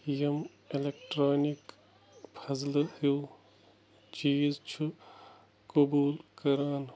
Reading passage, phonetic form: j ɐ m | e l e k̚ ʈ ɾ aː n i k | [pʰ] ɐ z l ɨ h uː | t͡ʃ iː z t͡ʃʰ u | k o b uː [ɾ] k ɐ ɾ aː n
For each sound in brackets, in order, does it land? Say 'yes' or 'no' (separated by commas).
yes, no